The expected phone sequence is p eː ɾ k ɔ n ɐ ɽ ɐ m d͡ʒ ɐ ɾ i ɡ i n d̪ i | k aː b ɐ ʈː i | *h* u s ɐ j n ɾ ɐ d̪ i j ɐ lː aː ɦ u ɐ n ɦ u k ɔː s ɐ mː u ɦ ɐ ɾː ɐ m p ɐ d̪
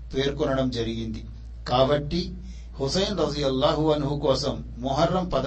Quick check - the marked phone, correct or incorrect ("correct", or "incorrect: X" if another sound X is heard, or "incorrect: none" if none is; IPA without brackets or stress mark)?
correct